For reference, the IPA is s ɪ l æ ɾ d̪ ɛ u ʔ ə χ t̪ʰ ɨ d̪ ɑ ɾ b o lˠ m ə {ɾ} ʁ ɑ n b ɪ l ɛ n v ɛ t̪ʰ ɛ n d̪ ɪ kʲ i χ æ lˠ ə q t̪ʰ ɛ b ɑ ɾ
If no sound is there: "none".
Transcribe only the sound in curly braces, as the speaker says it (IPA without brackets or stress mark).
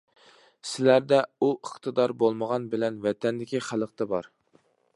none